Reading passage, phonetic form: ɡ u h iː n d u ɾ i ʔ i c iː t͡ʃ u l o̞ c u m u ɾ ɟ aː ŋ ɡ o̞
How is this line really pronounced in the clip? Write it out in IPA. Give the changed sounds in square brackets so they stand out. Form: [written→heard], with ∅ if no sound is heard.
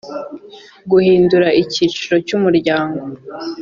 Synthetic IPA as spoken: ɡ u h iː n d u ɾ [i→a] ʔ i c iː t͡ʃ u [l→ɾ] o̞ c u m u ɾ ɟ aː ŋ ɡ o̞